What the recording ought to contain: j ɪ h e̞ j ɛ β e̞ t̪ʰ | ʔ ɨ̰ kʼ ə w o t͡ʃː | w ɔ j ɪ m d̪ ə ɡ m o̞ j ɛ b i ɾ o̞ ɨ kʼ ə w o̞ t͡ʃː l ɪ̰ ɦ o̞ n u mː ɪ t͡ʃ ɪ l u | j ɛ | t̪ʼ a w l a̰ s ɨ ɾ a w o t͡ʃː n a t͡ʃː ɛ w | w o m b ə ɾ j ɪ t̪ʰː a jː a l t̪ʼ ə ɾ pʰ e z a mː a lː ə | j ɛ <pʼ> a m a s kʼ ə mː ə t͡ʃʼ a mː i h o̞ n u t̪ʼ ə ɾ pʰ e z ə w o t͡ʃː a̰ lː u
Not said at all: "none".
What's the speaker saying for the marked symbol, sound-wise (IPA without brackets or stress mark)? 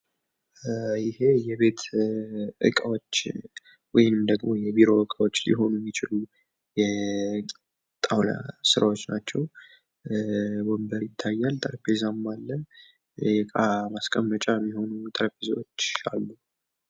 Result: kʼ